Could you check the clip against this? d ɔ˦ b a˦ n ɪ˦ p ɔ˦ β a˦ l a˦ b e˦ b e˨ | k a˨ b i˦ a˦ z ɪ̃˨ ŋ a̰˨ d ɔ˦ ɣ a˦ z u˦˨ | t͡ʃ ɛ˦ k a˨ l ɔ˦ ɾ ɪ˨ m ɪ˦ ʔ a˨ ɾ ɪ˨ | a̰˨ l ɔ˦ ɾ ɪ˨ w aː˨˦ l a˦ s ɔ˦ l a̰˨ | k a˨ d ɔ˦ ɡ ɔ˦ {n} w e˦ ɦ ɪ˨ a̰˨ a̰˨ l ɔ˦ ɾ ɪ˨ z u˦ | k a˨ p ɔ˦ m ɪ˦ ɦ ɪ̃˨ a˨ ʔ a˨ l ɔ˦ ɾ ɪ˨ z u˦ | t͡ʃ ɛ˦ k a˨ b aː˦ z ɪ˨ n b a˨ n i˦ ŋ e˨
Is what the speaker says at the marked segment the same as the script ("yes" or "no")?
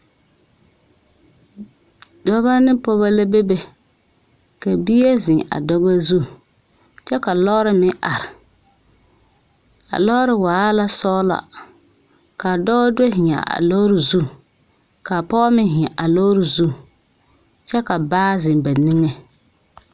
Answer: no